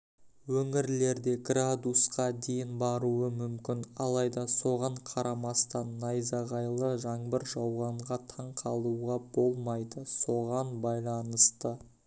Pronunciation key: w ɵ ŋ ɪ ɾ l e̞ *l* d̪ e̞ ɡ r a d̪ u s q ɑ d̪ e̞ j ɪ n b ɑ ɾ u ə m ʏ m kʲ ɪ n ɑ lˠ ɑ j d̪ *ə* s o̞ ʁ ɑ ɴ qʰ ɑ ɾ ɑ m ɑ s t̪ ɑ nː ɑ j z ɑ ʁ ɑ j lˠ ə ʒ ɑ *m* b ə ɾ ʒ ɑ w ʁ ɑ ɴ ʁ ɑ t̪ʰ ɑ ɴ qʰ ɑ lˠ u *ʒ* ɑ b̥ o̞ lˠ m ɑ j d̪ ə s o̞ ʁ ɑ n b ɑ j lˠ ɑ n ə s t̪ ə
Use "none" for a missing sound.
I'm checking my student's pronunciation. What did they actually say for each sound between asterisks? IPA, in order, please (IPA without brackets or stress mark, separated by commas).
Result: ɾ, ɑ, ɴ, ʁ